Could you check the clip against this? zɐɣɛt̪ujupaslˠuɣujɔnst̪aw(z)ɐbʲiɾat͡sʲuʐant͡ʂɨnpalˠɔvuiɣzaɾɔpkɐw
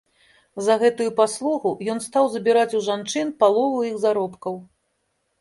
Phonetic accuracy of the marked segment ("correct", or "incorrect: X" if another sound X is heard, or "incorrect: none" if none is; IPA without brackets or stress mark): correct